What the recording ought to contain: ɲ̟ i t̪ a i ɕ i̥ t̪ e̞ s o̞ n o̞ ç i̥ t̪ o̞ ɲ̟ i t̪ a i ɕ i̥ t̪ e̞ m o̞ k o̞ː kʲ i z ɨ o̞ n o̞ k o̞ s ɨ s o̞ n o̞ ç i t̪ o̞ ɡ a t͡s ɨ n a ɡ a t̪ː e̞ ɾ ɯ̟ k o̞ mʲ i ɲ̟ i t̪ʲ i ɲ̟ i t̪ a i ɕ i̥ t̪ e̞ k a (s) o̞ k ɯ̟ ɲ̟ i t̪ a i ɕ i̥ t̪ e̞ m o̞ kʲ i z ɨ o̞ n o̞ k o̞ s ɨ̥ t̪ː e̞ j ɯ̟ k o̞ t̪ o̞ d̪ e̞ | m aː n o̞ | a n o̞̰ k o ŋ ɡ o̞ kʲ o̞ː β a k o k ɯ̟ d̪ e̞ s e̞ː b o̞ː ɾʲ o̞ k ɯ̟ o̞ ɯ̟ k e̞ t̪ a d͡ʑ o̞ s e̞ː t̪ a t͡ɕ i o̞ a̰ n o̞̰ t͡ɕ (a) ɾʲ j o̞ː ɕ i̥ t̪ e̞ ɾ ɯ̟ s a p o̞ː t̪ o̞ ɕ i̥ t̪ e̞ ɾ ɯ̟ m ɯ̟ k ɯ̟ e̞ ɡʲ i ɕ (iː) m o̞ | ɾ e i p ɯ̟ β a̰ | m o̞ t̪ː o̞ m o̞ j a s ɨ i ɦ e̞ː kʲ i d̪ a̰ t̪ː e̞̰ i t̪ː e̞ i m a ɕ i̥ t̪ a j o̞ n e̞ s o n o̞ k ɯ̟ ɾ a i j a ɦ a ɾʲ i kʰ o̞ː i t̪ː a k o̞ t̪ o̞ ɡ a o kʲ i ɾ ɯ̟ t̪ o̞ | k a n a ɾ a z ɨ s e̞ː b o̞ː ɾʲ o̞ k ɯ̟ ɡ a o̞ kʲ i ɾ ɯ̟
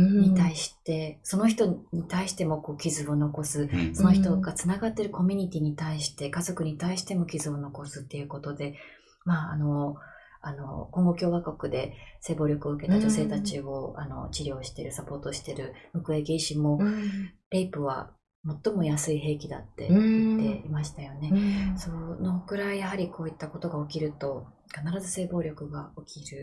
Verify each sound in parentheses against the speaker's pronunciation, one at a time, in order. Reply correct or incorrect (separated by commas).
incorrect, incorrect, incorrect